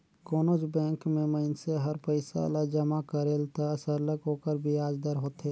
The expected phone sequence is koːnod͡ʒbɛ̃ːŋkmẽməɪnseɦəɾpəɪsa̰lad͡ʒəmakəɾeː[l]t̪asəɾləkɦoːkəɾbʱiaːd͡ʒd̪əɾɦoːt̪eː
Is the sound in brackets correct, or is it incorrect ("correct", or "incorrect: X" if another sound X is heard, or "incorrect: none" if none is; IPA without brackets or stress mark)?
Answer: correct